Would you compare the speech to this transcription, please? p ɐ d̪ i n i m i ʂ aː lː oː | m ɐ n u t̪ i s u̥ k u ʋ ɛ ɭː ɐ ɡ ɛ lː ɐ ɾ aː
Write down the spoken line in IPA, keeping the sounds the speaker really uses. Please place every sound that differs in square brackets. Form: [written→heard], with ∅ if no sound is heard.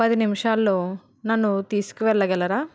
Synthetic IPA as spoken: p ɐ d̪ i n i m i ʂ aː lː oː | [m→n] ɐ [n→nː] u t̪ [i→iː] s u̥ k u ʋ ɛ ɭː ɐ ɡ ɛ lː ɐ ɾ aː